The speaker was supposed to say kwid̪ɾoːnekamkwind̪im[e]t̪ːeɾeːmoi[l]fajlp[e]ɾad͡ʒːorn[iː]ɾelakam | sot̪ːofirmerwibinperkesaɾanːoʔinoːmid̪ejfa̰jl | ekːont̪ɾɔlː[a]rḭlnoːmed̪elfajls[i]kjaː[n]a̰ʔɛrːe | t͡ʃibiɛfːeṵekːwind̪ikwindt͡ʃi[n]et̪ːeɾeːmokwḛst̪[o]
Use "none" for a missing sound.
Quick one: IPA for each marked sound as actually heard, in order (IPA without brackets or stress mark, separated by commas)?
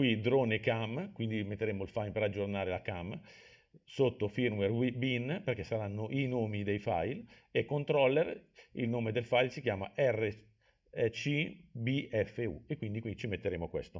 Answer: e, l, e, aː, e, i, m, m, o